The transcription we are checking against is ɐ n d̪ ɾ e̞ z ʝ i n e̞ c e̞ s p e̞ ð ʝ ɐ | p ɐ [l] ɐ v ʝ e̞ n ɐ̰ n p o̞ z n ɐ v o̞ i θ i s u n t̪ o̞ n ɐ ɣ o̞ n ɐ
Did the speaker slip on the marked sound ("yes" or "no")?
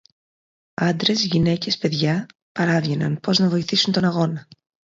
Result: yes